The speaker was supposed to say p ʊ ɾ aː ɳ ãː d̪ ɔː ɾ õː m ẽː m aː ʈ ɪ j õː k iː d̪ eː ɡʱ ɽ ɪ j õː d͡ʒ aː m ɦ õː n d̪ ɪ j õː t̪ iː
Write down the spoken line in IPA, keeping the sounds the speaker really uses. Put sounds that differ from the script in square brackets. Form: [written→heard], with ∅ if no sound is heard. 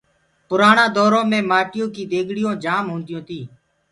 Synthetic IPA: p ʊ ɾ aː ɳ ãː d̪ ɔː ɾ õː m ẽː m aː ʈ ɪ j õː k iː d̪ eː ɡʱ ɽ ɪ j õː d͡ʒ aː m ɦ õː n d̪ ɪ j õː t̪ iː